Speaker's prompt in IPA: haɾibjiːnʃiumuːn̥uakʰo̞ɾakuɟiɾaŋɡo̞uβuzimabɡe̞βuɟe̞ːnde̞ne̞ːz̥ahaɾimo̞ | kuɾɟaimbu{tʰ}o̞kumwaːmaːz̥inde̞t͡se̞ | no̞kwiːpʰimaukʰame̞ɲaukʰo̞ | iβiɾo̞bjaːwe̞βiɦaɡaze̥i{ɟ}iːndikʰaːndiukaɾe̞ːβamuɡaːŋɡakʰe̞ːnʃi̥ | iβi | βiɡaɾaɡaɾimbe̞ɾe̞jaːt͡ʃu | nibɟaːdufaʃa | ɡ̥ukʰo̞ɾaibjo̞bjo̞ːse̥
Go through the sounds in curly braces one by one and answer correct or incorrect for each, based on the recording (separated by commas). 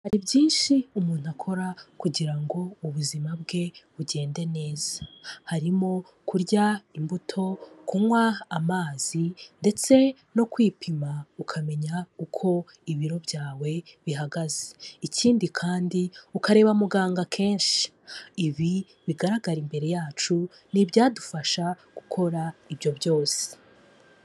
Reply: correct, incorrect